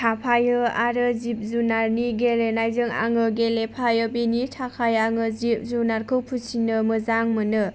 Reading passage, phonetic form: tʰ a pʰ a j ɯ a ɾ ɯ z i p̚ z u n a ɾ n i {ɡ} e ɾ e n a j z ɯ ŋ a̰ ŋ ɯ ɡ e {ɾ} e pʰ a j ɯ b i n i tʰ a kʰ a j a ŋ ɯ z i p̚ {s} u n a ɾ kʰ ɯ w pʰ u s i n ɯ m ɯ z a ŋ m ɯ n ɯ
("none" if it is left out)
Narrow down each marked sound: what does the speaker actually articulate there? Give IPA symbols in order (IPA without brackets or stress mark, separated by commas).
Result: ɡ, l, z